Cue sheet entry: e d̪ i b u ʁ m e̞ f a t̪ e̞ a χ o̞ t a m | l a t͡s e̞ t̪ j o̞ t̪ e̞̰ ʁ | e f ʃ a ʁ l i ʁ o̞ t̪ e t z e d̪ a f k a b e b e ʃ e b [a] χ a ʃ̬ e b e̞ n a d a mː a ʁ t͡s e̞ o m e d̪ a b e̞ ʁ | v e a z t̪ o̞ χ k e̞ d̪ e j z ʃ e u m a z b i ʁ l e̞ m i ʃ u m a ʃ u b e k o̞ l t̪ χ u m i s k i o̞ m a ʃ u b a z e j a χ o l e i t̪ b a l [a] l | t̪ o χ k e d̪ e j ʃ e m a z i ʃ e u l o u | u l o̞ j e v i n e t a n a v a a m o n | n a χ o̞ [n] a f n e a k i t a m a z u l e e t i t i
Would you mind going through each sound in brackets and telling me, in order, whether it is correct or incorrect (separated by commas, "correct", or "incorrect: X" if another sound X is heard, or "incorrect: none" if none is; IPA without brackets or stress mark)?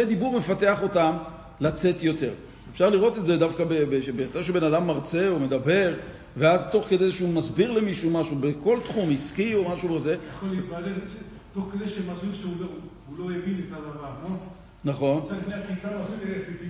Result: incorrect: e, incorrect: e, correct